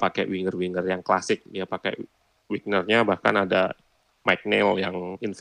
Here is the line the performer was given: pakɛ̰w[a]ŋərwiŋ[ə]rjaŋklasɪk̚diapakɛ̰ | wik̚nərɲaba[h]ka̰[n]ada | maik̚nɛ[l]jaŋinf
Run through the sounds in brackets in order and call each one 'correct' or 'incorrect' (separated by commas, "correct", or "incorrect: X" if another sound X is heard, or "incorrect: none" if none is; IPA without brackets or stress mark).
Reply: incorrect: i, correct, correct, correct, correct